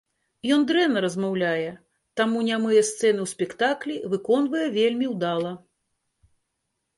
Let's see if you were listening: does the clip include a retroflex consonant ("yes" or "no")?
no